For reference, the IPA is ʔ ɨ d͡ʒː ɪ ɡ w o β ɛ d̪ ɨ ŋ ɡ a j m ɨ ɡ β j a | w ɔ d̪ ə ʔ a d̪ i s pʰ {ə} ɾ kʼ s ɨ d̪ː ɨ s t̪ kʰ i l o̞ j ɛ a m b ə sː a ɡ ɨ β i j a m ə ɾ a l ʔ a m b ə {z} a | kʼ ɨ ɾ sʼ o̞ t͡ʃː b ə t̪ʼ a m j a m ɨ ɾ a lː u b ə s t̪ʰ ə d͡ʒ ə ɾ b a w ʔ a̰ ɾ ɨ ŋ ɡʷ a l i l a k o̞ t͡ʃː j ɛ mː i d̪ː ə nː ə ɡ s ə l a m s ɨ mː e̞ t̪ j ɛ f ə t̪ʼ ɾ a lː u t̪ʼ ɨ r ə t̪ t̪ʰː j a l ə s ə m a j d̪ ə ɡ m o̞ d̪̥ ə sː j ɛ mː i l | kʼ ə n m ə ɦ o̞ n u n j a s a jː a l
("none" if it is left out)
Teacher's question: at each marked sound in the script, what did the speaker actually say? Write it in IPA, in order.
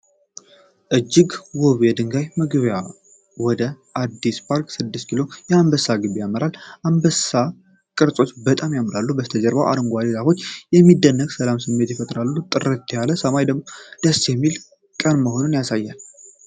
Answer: a, s

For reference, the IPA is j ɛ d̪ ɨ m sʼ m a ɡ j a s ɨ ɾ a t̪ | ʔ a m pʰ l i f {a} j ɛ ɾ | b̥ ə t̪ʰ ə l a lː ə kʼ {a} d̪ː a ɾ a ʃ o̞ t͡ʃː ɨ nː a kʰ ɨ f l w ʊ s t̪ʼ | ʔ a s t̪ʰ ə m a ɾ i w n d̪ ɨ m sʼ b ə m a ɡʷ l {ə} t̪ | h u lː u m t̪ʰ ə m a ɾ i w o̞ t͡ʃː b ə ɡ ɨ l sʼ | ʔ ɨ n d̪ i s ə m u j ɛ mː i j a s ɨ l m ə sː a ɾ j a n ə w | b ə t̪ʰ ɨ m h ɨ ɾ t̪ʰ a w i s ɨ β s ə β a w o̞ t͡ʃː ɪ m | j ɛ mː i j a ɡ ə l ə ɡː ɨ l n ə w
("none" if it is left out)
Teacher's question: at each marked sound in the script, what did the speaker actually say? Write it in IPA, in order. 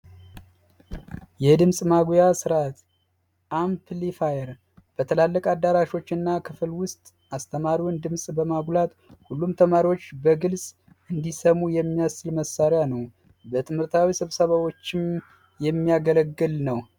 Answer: a, a, a

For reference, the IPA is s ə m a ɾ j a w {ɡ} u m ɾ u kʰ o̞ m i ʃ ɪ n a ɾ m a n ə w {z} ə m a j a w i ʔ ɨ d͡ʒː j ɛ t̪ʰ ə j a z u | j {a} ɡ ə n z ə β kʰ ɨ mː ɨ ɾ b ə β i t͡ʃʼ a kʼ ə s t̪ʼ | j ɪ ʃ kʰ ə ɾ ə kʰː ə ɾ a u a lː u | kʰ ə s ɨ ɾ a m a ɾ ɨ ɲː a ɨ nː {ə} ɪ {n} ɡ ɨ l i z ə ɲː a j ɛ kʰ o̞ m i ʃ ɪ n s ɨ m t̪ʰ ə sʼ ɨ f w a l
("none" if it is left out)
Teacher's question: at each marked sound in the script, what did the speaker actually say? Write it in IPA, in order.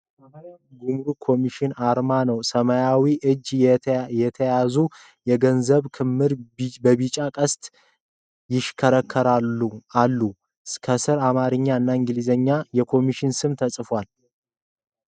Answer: ɡ, s, ɛ, a, ŋ

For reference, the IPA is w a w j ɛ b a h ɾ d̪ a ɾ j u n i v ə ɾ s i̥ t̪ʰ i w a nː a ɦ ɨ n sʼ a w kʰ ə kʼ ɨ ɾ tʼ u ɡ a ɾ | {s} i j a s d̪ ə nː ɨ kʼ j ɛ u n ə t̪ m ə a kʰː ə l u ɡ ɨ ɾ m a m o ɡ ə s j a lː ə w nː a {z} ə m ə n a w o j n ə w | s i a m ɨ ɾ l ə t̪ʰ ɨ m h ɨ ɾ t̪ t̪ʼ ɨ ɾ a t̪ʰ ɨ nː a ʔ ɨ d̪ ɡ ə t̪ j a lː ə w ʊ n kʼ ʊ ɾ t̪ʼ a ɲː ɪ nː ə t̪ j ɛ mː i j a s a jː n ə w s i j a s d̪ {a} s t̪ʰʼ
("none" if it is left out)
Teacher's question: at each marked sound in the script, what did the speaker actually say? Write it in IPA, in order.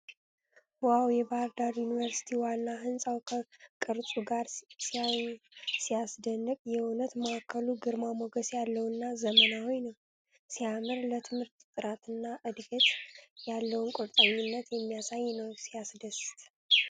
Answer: s, z, ə

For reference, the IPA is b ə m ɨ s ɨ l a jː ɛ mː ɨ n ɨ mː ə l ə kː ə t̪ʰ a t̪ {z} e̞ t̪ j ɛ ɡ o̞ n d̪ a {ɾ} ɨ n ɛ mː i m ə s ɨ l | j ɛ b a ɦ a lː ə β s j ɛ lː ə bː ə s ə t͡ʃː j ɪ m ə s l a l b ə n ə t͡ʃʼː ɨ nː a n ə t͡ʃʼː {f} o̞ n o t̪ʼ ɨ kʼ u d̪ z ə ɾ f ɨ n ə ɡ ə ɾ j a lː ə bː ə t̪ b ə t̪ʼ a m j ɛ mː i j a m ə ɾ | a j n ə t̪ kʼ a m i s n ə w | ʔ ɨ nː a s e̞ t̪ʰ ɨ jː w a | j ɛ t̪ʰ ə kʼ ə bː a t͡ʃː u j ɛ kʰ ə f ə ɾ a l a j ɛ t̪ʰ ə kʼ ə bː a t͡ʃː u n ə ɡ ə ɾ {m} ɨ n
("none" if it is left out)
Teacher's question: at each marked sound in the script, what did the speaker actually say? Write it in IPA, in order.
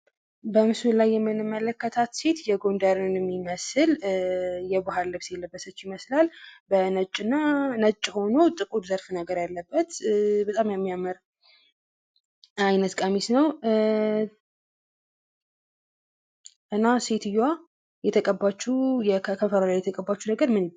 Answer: s, ɾ, h, m

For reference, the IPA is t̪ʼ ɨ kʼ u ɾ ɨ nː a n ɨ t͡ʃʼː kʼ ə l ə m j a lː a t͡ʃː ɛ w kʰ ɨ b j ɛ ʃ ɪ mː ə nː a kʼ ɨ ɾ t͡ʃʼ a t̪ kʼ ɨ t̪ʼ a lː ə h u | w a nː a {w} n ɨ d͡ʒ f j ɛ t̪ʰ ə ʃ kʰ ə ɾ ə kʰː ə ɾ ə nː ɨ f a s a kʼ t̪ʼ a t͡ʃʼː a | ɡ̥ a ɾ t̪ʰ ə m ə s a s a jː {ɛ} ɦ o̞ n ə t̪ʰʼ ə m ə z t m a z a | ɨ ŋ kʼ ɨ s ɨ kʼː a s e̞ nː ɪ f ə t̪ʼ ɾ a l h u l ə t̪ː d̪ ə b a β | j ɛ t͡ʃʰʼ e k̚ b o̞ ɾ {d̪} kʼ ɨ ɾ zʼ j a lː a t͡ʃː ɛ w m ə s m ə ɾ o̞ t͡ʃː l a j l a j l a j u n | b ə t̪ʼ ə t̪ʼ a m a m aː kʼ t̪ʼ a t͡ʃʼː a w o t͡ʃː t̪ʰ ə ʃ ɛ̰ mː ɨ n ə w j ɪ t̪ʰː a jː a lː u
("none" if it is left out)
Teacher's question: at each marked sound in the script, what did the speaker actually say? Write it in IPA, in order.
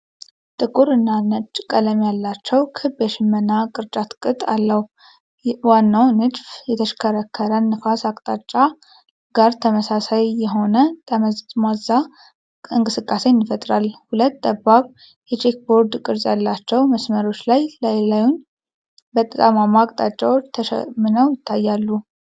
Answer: w, ɛ, d̪

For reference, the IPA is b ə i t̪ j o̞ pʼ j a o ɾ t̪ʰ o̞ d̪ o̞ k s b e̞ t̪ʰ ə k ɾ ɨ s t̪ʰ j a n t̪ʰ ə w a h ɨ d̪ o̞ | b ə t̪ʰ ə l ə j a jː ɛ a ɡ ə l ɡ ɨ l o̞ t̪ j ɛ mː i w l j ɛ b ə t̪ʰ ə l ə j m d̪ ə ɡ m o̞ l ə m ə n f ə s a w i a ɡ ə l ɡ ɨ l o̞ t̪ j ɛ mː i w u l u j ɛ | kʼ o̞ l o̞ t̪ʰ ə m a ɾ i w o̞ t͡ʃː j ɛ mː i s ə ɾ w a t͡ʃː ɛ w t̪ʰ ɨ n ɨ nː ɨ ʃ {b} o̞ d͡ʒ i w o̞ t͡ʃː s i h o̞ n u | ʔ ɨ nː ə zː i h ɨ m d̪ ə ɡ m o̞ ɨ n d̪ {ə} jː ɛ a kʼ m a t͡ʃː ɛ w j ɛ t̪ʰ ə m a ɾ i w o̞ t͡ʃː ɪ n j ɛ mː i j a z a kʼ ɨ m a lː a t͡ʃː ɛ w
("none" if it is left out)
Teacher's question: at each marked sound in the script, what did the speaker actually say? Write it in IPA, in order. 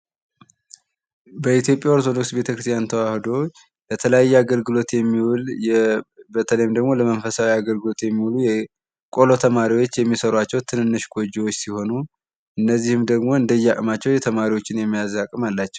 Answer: ɡ, ə

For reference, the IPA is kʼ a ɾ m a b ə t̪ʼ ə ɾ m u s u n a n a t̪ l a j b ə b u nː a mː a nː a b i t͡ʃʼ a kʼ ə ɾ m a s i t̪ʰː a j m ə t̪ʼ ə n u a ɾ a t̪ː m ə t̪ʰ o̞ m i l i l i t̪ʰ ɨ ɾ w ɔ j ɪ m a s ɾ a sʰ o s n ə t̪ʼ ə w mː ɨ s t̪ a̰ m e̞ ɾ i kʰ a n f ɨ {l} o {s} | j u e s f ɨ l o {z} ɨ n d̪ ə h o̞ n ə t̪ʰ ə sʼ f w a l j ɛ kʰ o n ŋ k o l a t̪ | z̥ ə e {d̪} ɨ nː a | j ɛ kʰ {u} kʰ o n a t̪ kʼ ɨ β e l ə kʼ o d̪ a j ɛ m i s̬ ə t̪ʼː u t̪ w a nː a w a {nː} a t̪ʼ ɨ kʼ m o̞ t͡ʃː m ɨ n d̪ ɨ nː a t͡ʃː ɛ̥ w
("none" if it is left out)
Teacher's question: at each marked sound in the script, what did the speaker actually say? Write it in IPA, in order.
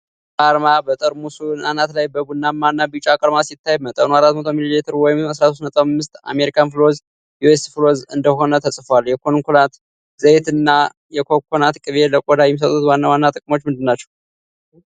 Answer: l, z, z, t̪, o, nː

